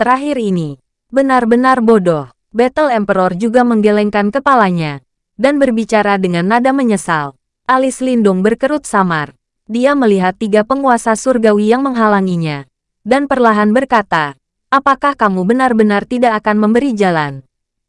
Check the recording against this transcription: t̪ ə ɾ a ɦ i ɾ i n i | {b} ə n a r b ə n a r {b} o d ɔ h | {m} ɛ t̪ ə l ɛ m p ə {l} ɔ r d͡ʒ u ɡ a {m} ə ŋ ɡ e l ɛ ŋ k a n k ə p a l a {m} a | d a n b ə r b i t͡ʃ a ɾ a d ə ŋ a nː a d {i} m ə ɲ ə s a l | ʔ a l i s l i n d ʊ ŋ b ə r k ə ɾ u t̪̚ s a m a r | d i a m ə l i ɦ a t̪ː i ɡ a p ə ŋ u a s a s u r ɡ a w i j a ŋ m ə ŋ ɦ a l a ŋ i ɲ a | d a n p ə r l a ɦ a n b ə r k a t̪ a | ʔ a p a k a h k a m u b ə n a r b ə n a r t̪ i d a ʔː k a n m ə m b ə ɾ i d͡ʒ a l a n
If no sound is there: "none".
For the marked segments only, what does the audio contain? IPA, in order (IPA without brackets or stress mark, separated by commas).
b, b, b, ɾ, m, ɲ, a